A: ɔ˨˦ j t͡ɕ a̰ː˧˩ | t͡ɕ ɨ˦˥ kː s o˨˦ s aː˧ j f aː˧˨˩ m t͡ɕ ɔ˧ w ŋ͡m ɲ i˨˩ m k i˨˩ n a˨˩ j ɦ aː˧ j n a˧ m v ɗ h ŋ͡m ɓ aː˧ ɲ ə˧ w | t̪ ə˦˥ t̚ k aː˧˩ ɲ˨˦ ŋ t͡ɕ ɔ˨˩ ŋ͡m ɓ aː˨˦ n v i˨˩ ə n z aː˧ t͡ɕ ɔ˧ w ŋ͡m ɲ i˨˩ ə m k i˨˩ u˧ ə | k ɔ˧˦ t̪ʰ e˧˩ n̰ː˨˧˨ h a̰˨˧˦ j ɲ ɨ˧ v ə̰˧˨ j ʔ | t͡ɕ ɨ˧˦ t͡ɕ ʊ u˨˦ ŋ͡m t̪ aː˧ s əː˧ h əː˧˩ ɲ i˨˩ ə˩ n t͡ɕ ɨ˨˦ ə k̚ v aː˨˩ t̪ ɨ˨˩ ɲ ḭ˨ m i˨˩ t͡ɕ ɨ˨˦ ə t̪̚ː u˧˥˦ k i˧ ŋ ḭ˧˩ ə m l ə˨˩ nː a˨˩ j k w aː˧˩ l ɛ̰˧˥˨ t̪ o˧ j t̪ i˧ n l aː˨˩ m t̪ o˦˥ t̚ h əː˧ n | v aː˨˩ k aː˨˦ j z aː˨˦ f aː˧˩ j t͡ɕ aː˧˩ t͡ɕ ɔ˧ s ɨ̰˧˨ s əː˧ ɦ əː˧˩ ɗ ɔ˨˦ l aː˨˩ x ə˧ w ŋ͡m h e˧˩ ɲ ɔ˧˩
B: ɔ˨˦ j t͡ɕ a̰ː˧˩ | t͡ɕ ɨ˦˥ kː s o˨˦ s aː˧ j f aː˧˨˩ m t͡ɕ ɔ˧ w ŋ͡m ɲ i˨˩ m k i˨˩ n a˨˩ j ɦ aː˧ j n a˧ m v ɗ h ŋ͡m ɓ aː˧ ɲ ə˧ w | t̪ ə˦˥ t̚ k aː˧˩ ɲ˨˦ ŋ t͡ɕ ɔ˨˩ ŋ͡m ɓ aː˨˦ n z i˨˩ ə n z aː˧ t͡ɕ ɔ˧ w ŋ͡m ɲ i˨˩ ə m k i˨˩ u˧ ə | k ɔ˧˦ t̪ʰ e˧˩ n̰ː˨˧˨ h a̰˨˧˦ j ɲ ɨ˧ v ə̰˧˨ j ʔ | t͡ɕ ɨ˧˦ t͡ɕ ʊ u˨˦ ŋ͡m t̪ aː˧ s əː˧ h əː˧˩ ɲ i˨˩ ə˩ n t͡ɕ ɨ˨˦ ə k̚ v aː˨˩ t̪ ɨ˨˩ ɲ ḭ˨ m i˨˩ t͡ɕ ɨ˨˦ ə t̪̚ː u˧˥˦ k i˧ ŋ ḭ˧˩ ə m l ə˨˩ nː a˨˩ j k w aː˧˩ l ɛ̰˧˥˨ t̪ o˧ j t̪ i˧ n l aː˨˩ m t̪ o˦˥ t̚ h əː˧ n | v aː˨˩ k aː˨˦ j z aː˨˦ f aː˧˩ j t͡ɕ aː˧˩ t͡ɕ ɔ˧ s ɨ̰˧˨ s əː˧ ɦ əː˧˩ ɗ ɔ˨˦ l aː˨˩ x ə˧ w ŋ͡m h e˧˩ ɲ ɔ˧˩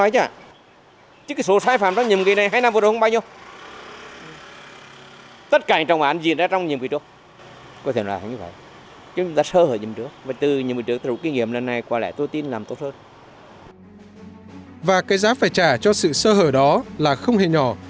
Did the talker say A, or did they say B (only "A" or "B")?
B